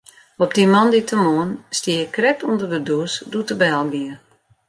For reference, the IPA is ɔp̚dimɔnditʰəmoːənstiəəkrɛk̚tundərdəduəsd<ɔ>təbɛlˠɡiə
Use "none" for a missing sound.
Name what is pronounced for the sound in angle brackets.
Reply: u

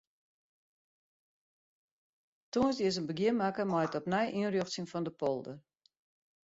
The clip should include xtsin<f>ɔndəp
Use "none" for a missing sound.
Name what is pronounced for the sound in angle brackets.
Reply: f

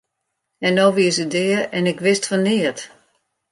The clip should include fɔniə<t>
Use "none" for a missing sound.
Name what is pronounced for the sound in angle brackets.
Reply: t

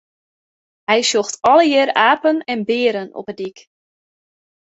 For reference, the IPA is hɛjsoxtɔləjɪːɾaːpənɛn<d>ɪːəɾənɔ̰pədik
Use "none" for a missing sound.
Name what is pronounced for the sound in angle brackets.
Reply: b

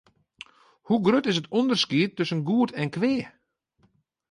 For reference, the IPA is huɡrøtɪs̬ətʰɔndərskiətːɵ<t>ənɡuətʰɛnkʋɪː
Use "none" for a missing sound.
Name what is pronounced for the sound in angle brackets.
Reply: s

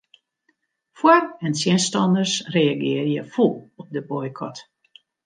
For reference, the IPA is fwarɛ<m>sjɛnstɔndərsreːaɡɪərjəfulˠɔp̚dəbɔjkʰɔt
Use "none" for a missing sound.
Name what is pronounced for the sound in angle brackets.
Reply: n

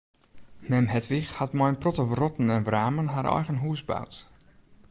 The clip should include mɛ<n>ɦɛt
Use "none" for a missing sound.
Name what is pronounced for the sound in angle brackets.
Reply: m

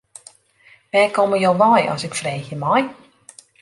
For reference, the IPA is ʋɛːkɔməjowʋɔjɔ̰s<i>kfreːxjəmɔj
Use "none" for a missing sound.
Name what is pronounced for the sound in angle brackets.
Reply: ɪ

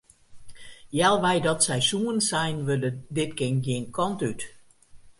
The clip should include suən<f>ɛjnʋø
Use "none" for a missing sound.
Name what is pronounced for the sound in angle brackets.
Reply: s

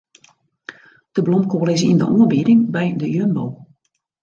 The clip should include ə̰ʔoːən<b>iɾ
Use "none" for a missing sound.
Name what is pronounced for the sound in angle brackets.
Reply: b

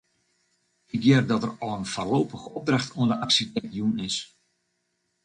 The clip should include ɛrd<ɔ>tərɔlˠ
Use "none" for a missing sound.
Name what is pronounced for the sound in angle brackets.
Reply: ɔ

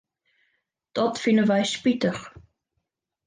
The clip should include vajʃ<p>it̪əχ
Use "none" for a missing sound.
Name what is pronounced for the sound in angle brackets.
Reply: p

